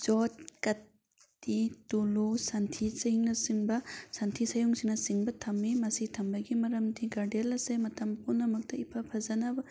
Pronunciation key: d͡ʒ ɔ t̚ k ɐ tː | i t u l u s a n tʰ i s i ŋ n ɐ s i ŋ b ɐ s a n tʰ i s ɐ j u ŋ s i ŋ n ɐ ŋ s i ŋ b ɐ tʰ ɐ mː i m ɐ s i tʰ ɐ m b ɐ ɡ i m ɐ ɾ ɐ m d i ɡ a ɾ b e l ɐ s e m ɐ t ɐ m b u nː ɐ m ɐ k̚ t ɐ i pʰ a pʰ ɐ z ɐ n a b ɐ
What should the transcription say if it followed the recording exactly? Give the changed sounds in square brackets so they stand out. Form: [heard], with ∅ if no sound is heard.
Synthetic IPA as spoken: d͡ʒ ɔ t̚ k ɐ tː | i t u l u s a n tʰ i s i ŋ n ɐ s i ŋ b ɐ s a n tʰ i s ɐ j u ŋ s i ŋ n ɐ [∅] s i ŋ b ɐ tʰ ɐ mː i m ɐ s i tʰ ɐ m b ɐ ɡ i m ɐ ɾ ɐ m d i ɡ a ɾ [d] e l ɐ s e m ɐ t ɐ m [p] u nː ɐ m ɐ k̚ t ɐ i pʰ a pʰ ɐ z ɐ n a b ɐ